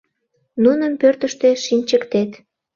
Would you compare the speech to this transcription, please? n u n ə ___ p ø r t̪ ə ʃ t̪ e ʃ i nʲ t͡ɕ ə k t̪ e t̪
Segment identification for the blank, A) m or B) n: A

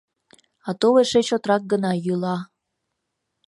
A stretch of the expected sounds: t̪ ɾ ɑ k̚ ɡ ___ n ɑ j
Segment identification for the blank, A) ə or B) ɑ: A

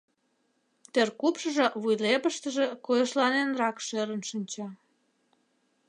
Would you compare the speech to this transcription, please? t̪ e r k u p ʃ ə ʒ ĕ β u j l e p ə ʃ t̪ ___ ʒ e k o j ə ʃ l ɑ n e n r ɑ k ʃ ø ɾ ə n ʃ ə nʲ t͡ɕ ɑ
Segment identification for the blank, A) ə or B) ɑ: A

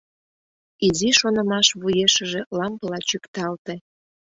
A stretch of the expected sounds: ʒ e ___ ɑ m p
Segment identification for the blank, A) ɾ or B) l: B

